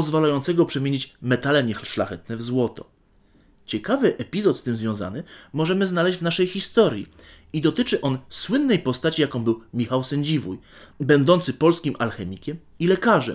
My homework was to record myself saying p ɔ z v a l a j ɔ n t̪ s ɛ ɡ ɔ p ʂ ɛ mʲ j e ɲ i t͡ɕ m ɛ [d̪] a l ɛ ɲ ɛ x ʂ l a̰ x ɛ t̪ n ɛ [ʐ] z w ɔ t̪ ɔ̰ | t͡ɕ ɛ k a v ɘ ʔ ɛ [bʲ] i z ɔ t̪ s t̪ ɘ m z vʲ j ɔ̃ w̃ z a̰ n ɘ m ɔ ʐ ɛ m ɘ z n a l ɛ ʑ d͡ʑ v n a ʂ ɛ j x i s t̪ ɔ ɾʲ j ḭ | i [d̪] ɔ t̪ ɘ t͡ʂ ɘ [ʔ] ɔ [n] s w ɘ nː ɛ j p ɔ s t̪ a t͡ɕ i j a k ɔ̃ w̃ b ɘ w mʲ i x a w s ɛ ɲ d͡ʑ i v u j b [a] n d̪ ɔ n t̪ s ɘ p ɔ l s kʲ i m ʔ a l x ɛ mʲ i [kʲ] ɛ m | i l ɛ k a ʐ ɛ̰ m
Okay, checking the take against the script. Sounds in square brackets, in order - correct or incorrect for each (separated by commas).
incorrect, incorrect, incorrect, correct, correct, correct, incorrect, correct